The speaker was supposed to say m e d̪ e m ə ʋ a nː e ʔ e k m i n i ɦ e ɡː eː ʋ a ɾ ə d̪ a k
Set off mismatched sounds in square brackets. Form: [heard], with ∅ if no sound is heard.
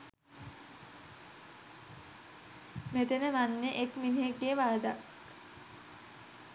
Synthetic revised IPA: m e [t̪] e [n] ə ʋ a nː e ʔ e k m i n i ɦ e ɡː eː ʋ a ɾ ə d̪ a k